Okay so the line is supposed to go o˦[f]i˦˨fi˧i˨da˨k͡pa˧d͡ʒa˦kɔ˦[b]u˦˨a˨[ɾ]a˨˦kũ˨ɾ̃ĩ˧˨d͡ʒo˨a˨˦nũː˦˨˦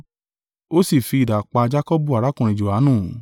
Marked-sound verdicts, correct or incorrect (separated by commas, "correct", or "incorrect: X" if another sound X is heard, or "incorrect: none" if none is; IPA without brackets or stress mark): incorrect: s, correct, correct